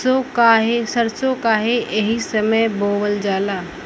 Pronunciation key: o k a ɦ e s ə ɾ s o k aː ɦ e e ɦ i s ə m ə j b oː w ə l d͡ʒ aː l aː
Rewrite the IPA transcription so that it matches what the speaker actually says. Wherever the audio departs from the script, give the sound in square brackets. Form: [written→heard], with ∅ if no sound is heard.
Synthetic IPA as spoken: o k a ɦ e s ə ɾ s o k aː ɦ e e ɦ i s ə m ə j b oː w ə l d͡ʒ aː l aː